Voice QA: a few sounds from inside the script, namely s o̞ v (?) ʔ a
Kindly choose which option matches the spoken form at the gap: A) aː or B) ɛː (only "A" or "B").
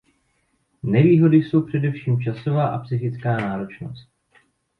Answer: A